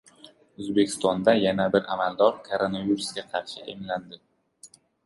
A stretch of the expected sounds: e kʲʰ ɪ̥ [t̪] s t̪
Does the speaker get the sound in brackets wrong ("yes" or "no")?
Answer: yes